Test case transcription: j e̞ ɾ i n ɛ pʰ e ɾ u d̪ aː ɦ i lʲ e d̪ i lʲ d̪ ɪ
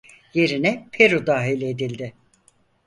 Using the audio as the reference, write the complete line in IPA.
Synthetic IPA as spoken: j e̞ ɾ i n ɛ pʰ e ɾ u d̪ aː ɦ i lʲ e d̪ i lʲ d̪ ɪ